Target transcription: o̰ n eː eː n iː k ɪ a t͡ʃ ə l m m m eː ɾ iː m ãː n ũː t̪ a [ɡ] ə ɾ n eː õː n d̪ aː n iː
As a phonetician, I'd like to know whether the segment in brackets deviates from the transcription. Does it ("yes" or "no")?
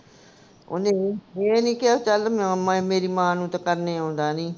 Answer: yes